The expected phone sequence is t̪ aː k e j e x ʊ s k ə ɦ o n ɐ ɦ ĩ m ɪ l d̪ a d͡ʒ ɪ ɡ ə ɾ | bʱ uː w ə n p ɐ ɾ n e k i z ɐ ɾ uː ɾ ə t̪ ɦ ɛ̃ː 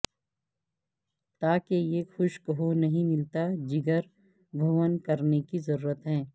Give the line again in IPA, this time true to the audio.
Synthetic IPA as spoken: t̪ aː k e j e x ʊ ʃ k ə ɦ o n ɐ ɦ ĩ m ɪ l t̪ a d͡ʒ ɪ ɡ ə ɾ | bʱ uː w ə n k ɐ ɾ n e k i z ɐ ɾ uː ɾ ə t̪ ɦ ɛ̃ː